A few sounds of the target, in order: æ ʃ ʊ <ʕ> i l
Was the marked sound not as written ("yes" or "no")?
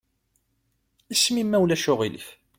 yes